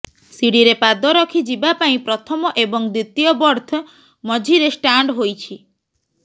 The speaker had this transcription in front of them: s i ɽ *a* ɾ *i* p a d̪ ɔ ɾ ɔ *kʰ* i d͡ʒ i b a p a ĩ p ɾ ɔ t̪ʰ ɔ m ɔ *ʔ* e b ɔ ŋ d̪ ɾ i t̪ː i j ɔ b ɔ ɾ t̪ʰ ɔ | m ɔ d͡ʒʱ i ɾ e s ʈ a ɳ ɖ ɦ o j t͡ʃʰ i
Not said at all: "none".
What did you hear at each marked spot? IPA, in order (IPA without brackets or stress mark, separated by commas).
i, e, kʰ, ʔ